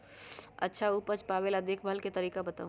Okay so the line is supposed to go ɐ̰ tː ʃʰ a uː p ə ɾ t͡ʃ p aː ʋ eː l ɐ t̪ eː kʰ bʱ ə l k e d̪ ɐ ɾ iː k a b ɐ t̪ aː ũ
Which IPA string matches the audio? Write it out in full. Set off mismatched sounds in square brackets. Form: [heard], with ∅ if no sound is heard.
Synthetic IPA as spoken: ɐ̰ tː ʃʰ a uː p ə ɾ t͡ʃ p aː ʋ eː l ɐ [d̪] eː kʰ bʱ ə l k e [t̪] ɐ ɾ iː k a b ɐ t̪ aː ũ